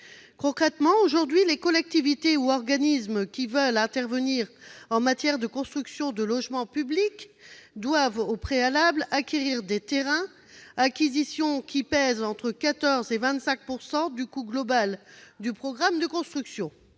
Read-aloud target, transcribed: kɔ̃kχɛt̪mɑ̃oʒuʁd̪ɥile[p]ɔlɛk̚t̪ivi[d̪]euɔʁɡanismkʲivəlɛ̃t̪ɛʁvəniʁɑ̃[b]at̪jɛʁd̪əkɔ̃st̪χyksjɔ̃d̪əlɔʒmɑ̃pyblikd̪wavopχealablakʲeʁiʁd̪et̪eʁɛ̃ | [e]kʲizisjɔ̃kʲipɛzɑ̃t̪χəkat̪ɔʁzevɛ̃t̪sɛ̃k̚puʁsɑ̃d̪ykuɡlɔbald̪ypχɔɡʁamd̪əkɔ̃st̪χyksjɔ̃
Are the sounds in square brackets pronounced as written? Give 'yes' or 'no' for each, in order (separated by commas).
no, no, no, no